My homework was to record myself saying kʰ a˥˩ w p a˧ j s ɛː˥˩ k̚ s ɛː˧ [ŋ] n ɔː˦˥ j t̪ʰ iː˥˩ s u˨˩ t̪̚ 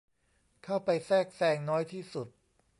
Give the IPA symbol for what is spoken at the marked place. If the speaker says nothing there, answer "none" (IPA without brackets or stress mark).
ŋ